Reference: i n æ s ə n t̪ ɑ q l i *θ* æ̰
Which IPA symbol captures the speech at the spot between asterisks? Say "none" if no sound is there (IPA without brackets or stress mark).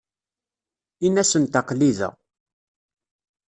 ð